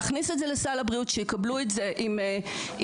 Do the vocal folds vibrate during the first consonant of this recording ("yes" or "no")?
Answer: no